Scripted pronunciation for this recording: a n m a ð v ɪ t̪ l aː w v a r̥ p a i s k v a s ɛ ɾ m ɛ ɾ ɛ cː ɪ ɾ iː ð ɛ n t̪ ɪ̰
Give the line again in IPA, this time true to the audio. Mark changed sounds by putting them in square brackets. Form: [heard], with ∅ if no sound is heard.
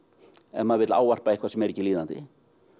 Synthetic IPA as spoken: [ɛ] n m a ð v ɪ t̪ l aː w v a r̥ p a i [h] k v a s ɛ [∅] m ɛ ɾ ɛ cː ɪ [l] iː ð [a] n t̪ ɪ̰